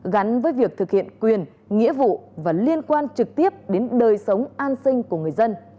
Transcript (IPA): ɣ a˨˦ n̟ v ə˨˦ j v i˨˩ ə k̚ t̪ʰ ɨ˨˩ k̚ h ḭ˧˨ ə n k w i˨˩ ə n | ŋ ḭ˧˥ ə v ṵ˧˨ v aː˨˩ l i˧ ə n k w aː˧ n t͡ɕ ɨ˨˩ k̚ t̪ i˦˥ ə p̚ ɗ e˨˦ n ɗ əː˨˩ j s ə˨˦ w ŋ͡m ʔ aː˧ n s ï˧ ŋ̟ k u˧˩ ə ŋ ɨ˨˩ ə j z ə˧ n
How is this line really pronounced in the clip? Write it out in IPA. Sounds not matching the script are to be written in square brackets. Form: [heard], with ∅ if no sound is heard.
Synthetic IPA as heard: ɣ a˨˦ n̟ v [əː˨˦] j v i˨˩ ə k̚ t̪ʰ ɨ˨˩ k̚ h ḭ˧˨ ə n k w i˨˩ ə n | ŋ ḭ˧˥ ə v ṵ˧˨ v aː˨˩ l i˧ ə n k w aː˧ n t͡ɕ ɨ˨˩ k̚ t̪ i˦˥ ə p̚ ɗ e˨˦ n ɗ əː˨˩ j s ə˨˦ w ŋ͡m ʔ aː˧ n s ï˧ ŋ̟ k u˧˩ ə ŋ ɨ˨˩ ə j z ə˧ n